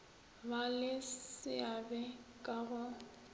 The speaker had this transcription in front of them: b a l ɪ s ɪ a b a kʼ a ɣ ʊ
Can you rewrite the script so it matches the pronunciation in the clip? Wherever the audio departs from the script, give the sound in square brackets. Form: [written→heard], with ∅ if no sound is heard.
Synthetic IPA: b a l ɪ s ɪ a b [a→ɛ] kʼ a ɣ ʊ